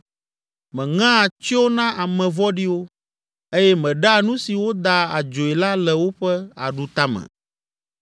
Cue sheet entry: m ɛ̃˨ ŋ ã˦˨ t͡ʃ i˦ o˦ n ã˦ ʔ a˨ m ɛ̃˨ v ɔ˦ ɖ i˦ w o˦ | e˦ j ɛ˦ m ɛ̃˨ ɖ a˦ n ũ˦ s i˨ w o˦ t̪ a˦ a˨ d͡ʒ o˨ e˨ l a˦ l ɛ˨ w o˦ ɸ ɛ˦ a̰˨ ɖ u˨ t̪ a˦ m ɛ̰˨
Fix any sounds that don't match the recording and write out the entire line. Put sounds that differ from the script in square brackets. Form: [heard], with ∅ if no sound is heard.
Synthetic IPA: m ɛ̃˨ ŋ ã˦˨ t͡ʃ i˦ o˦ n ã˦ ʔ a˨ m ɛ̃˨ v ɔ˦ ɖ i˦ w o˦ | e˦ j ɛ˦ m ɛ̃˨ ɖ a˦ n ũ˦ s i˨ w o˦ [d̪] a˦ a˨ d͡ʒ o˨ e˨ l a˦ l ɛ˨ w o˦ ɸ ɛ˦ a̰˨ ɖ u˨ t̪ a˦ m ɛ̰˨